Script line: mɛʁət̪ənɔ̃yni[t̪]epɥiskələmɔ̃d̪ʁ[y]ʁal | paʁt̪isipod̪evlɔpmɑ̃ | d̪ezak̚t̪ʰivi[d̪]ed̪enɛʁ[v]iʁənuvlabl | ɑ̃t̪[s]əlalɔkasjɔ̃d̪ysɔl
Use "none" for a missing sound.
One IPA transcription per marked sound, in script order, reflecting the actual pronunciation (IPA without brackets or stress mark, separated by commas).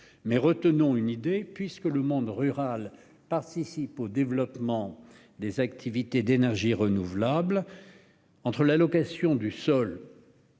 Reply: d̪, y, t̪, ʒ, χ